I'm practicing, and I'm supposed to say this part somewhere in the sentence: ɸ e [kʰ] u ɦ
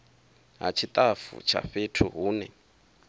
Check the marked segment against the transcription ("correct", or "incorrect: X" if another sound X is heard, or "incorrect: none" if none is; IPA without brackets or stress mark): incorrect: tʰ